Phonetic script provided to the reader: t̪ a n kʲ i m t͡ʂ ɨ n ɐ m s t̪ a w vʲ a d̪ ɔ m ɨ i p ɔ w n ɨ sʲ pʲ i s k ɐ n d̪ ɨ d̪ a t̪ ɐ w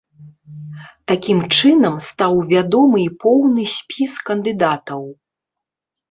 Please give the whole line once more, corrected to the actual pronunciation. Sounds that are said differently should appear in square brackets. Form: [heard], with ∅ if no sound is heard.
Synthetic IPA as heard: t̪ a [∅] kʲ i m t͡ʂ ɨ n ɐ m s t̪ a w vʲ a d̪ ɔ m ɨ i p ɔ w n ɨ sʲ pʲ i s k ɐ n d̪ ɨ d̪ a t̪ ɐ w